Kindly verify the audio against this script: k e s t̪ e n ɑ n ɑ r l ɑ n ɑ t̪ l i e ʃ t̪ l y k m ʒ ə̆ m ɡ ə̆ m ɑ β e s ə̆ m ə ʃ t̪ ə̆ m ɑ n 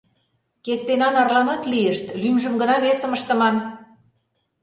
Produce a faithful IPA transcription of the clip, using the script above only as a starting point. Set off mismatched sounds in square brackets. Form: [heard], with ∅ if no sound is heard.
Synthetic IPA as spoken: k e s t̪ e n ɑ n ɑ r l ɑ n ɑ t̪ l i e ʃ t̪ l y [∅] m ʒ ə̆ m ɡ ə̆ [n] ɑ β e s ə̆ m ə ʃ t̪ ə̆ m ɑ n